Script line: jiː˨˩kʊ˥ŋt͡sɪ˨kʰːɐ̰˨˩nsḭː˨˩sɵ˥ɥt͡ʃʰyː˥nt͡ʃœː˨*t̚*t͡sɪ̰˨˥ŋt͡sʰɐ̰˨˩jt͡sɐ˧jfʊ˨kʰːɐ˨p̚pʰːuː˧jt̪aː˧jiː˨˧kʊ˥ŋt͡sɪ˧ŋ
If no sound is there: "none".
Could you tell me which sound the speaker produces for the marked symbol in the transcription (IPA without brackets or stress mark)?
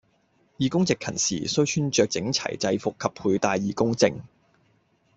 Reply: k̚